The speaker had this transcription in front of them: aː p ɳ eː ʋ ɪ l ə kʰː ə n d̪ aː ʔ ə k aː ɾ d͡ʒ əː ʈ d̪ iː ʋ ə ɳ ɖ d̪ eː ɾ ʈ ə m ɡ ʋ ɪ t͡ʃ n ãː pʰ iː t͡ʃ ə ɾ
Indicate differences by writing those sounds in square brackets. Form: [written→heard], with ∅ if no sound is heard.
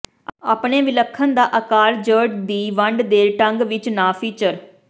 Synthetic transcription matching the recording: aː p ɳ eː ʋ ɪ l ə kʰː ə n d̪ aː ʔ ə k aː ɾ d͡ʒ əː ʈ d̪ iː ʋ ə ɳ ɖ d̪ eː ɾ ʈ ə [m→ŋ] ɡ ʋ ɪ t͡ʃ n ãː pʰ iː t͡ʃ ə ɾ